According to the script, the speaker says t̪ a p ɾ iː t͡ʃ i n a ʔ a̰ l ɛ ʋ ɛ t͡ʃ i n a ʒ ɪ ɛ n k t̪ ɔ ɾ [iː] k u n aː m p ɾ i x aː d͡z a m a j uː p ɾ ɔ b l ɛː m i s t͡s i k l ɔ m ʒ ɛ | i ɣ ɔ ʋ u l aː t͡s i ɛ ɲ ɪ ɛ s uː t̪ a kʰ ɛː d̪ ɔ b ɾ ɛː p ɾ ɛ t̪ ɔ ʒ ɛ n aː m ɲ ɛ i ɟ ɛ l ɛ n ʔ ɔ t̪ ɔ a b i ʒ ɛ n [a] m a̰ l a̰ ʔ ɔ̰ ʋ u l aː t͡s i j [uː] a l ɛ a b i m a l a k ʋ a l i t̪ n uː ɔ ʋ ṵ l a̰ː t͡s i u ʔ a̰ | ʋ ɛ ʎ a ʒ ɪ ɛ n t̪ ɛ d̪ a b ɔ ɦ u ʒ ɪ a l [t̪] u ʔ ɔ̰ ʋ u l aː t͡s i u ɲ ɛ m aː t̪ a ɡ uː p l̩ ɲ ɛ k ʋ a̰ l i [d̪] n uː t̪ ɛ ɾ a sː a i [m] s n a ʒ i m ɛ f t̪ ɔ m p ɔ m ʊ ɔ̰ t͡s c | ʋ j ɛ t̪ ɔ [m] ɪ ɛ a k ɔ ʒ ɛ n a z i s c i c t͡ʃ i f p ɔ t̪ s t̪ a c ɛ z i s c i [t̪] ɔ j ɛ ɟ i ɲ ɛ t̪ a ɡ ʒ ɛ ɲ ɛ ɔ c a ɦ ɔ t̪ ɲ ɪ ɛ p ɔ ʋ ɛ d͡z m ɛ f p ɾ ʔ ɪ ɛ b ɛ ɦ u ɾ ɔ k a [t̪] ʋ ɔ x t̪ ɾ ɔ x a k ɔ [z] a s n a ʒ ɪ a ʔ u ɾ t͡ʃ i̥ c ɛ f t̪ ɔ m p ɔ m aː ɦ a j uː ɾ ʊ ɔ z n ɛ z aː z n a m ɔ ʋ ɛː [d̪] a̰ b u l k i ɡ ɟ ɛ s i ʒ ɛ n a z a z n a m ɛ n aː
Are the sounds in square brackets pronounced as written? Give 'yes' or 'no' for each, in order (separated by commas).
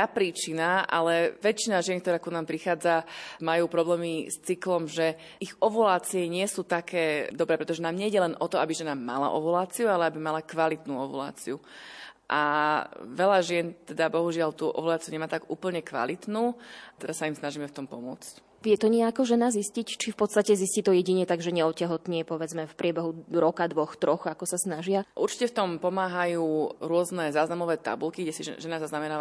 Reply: no, yes, no, yes, no, yes, no, yes, no, no, no